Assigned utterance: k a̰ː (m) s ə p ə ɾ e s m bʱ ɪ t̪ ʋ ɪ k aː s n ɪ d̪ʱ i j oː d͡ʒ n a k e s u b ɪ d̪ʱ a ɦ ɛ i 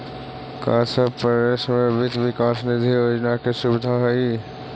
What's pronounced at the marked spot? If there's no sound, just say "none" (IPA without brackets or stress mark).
none